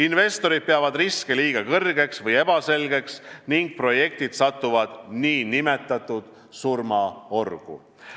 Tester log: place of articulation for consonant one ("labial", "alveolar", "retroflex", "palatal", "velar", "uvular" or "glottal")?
alveolar